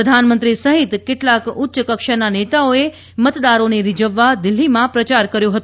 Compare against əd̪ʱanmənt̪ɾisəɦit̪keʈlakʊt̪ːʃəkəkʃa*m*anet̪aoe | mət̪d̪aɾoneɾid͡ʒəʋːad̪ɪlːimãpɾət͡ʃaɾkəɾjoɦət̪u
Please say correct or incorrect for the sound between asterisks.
incorrect